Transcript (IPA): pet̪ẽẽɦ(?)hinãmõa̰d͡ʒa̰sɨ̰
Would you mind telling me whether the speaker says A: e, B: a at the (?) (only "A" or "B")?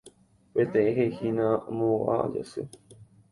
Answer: A